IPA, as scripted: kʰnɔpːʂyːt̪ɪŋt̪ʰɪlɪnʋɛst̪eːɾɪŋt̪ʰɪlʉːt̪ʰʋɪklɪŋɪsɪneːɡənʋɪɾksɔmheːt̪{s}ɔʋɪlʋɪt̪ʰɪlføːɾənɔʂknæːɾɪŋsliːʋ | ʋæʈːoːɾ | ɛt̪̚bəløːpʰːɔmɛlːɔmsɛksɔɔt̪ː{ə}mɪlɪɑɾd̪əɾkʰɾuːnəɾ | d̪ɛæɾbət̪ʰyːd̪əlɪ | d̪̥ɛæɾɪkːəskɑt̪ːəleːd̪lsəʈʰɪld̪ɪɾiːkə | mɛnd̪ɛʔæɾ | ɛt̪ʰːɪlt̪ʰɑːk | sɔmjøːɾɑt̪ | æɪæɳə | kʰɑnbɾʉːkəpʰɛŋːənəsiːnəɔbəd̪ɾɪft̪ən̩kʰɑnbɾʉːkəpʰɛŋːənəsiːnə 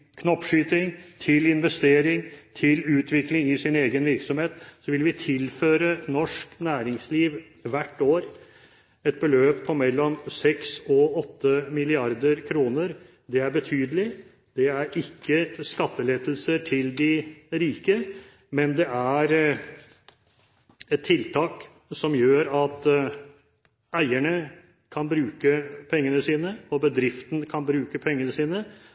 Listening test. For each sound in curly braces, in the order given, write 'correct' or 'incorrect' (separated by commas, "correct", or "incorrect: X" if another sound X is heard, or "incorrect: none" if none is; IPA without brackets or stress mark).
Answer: correct, correct